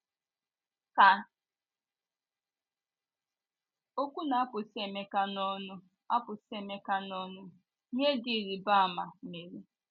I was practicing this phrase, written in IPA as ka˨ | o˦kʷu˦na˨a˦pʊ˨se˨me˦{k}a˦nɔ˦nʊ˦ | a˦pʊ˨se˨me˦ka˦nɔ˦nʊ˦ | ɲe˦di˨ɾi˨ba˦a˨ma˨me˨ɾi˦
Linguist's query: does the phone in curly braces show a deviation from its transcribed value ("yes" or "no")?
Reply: no